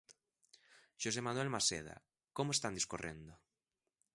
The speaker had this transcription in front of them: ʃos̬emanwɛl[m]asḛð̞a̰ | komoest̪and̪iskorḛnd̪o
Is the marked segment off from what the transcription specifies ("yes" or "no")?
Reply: no